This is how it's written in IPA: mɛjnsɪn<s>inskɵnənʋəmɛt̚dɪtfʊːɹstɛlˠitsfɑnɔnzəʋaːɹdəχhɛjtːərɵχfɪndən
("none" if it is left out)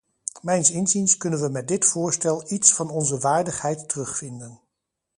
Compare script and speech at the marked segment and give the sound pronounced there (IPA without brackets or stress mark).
z